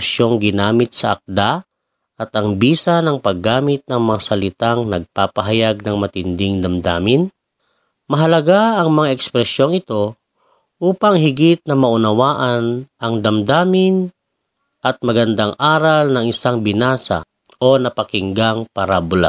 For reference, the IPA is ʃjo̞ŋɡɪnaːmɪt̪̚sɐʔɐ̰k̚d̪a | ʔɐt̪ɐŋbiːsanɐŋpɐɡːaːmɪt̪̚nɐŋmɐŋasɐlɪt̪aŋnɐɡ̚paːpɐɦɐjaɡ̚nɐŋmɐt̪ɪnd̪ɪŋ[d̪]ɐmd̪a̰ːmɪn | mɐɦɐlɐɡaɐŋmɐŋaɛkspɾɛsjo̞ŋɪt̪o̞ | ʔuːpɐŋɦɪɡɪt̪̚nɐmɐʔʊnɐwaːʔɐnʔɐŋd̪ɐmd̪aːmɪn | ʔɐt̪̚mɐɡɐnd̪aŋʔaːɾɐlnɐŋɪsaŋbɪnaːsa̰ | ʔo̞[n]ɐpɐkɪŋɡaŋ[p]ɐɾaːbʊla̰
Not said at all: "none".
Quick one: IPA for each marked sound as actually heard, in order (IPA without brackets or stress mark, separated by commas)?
d̪, n, p